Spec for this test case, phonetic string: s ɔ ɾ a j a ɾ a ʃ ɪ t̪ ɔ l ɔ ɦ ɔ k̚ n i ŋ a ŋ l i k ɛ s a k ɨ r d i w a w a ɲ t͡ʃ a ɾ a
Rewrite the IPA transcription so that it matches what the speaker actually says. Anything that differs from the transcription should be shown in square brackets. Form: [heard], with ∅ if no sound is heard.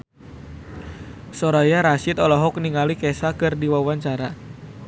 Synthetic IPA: s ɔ ɾ a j a ɾ a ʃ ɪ t̪ ɔ l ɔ ɦ ɔ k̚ n i ŋ a [∅] l i k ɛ s a k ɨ r d i w a w a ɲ t͡ʃ a ɾ a